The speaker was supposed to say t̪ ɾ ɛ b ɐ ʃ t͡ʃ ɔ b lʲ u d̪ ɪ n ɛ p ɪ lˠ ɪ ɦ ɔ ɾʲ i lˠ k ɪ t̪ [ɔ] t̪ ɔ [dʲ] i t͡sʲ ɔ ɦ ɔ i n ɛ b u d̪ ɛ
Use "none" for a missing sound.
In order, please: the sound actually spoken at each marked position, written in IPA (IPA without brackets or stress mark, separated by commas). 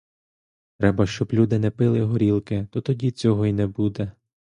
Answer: ɔ, dʲ